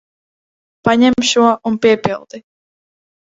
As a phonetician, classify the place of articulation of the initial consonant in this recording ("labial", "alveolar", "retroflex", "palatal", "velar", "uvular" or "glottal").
labial